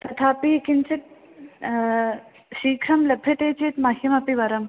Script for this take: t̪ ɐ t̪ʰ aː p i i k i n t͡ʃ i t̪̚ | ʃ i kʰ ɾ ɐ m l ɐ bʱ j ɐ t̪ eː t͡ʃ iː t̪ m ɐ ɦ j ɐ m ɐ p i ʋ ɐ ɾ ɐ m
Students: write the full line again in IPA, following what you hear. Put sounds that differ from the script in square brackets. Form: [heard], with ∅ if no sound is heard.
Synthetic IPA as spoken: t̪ ɐ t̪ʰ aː p i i k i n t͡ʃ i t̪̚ | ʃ [iː] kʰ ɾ ɐ m l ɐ bʱ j ɐ t̪ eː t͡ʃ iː t̪ m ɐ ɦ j ɐ m ɐ p i ʋ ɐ ɾ ɐ m